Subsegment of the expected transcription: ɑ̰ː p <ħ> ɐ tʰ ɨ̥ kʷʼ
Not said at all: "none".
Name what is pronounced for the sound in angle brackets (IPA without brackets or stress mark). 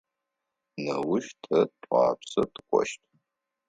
s